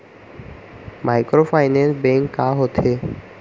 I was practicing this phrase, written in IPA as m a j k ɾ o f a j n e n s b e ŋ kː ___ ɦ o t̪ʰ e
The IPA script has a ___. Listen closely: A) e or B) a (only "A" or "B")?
B